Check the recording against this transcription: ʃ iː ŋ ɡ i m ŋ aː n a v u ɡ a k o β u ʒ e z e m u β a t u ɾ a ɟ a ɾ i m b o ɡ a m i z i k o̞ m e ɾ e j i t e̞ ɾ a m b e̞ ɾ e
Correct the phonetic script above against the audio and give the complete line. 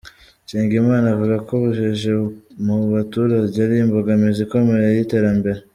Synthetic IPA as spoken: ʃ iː ŋ ɡ i m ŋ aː n a v u ɡ a k o β u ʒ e ʒ e m u β a t u ɾ a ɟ a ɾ i m b o ɡ a m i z i k o̞ m e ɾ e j i t e̞ ɾ a m b e̞ ɾ e